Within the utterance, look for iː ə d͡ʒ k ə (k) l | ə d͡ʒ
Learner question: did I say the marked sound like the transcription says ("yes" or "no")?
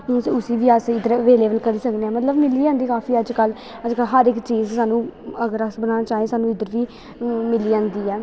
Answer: no